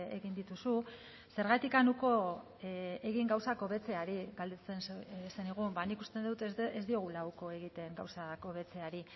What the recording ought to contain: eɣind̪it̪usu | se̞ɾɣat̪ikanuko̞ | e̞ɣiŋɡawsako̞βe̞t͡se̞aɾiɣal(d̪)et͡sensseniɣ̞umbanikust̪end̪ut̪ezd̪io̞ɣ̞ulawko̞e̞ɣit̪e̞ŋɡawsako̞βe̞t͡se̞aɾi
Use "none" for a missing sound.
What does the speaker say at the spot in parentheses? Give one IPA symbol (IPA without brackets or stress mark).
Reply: d̪